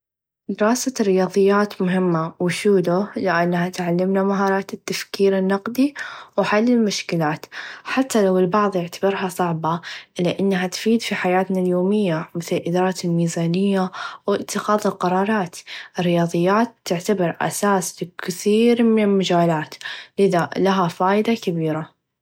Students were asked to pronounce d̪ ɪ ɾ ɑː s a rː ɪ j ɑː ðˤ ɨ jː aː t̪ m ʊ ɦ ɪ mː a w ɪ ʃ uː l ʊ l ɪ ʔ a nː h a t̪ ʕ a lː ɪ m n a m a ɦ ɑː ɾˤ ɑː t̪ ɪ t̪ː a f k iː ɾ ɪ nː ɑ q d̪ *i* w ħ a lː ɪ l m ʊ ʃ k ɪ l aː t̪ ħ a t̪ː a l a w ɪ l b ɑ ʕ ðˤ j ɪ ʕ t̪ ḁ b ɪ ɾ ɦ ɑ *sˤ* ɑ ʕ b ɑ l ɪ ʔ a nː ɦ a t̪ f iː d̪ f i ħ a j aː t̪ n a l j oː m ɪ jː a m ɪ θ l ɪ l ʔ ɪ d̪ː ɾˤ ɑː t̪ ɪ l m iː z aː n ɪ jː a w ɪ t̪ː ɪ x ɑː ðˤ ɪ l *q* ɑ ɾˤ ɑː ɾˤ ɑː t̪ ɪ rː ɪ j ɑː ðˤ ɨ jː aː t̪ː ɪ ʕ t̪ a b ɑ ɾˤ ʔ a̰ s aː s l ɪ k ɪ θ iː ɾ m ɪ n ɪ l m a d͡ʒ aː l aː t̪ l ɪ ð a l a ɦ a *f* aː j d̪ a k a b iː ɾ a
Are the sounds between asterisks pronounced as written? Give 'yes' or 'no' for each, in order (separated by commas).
yes, yes, yes, yes